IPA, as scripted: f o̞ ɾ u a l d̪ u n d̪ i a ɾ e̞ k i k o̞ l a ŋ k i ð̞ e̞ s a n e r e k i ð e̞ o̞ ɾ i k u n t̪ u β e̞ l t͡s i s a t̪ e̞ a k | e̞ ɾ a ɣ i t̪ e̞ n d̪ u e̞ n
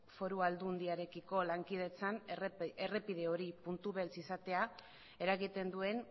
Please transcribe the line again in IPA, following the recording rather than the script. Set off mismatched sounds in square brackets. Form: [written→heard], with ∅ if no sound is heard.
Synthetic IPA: f o̞ ɾ u a l d̪ u n d̪ i a ɾ e̞ k i k o̞ l a ŋ k i ð̞ e̞ [s→t͡s] a n e r e [k→p] i ð e̞ o̞ ɾ i [k→p] u n t̪ u β e̞ l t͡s i s a t̪ e̞ a [k→∅] | e̞ ɾ a ɣ i t̪ e̞ n d̪ u e̞ n